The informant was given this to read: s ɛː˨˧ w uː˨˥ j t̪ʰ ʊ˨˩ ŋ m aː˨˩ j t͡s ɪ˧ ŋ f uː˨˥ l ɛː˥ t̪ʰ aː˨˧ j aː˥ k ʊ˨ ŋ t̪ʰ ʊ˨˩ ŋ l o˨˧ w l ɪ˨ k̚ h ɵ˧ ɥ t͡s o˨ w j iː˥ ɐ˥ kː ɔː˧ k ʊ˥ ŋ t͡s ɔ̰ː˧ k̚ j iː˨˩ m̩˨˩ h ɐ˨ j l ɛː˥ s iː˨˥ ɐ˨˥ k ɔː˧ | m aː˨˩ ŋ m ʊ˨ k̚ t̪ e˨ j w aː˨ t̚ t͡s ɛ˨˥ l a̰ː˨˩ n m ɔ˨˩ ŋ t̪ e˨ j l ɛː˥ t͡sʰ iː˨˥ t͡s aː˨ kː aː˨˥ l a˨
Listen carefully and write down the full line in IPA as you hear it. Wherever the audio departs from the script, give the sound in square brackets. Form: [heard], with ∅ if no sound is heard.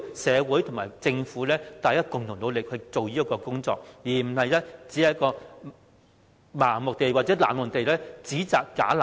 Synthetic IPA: s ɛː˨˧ w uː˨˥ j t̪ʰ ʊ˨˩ ŋ m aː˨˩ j t͡s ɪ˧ ŋ f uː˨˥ l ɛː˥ [t̪] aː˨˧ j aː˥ k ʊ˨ ŋ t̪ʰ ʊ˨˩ ŋ l o˨˧ w l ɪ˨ k̚ h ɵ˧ ɥ t͡s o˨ w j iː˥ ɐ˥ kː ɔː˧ k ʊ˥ ŋ t͡s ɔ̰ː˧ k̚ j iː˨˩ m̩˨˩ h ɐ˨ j l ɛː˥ [t͡s] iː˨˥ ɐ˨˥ k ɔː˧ | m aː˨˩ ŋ m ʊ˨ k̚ t̪ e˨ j w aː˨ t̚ t͡s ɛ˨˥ l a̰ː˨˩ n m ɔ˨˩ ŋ t̪ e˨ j l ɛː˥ [t͡s] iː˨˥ t͡s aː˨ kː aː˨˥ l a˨